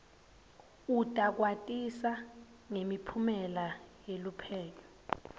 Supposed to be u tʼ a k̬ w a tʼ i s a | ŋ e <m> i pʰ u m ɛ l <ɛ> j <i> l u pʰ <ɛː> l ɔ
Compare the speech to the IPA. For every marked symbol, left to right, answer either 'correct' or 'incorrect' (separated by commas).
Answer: correct, incorrect, incorrect, correct